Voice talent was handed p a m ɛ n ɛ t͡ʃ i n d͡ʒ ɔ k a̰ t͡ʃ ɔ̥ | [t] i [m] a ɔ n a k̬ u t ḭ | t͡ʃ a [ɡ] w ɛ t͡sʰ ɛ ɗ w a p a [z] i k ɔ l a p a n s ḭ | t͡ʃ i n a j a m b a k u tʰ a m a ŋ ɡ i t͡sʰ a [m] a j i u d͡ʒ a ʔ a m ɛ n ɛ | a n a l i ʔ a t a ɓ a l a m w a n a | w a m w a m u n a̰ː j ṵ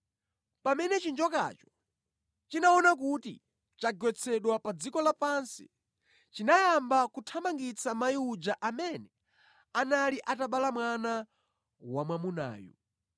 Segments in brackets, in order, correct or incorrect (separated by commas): incorrect, incorrect, correct, incorrect, correct